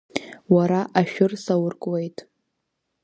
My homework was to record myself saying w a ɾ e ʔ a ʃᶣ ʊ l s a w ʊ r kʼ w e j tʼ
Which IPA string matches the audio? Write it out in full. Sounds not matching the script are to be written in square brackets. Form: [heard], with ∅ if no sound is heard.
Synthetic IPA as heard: w a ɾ [a] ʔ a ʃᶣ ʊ [r] s a w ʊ r kʼ w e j tʼ